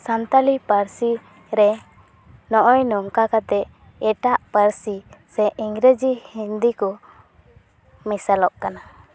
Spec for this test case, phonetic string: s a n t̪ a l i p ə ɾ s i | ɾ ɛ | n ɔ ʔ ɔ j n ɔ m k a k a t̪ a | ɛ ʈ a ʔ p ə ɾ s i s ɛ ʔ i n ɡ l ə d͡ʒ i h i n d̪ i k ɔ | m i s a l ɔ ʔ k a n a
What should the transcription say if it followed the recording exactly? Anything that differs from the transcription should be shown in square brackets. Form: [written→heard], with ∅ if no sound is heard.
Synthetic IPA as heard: s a n t̪ a l i p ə ɾ s i | ɾ ɛ | n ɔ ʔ ɔ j n ɔ [m→ŋ] k a k a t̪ [a→ɛ] | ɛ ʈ a ʔ p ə ɾ s i s ɛ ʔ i [n→ŋ] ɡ [l→ɾ] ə d͡ʒ i h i n d̪ i k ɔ | m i s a l ɔ ʔ k a n a